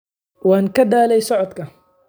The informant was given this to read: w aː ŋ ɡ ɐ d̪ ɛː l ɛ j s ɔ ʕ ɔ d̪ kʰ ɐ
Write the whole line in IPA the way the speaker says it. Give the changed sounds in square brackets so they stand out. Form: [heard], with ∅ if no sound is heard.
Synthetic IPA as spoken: w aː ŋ [k] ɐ d̪ [aː] l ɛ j s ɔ ʕ ɔ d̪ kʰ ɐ